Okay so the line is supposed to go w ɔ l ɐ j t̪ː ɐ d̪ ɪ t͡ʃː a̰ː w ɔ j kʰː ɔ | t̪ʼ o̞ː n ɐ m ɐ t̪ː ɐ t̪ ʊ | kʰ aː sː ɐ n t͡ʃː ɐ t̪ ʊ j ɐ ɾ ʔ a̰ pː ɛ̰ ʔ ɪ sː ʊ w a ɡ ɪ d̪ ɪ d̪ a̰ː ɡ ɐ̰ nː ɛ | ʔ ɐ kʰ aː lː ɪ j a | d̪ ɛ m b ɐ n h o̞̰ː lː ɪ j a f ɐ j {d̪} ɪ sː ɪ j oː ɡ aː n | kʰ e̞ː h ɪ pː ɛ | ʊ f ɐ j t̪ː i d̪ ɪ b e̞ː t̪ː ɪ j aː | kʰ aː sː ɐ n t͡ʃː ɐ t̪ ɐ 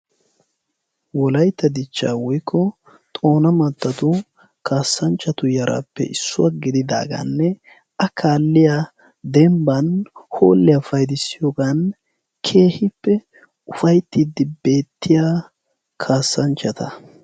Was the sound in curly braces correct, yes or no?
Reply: yes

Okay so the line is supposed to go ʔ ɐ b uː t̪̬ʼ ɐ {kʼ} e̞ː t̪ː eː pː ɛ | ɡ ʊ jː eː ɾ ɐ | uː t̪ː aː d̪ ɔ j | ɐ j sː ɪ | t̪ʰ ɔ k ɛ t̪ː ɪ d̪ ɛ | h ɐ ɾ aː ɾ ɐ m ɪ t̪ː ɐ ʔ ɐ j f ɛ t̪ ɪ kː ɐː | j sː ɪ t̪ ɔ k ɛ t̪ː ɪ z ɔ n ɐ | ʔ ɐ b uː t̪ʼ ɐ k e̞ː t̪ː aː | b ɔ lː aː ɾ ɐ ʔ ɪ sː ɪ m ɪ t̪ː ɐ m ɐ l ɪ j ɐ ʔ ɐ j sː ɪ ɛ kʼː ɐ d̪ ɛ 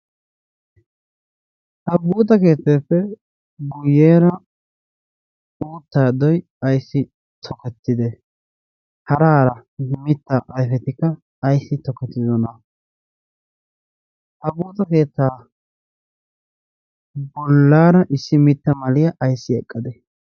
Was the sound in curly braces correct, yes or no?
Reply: no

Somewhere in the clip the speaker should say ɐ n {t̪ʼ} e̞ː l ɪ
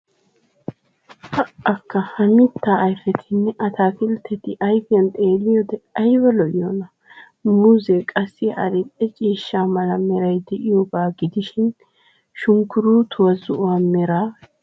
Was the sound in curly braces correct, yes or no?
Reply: yes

